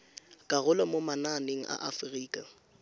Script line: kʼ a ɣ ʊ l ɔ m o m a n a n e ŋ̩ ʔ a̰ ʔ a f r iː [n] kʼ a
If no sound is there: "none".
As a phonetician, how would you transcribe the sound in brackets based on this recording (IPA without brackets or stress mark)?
none